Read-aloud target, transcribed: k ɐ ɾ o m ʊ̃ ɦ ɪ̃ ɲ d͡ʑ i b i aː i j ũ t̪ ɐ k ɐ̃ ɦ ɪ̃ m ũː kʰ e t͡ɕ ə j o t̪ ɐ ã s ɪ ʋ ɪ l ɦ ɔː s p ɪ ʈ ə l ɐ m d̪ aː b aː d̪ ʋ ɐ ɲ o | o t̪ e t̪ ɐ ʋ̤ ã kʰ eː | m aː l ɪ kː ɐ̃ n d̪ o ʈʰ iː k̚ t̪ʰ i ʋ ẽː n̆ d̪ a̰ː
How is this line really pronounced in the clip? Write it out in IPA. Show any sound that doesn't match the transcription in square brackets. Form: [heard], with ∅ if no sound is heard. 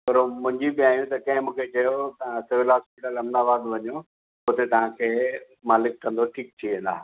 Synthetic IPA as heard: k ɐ ɾ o m ʊ̃ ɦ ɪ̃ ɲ d͡ʑ i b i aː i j ũ t̪ ɐ k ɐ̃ ɦ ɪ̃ m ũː kʰ e t͡ɕ [ɐ] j o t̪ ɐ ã s ɪ ʋ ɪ l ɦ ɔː s p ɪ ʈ ə l ɐ m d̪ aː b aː d̪ ʋ ɐ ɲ o | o t̪ e t̪ ɐ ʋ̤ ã kʰ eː | m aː l ɪ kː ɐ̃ n d̪ o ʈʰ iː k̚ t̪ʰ i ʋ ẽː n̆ d̪ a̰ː